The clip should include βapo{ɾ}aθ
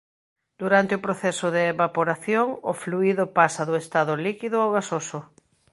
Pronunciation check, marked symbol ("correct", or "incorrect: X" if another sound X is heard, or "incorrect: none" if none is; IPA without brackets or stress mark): correct